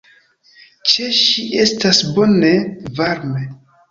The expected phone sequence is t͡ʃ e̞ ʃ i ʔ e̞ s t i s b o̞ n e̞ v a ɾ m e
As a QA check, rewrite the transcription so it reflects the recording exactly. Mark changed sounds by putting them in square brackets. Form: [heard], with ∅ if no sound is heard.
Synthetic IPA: t͡ʃ e̞ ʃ i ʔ e̞ s t [a] s b o̞ n e̞ v a ɾ m e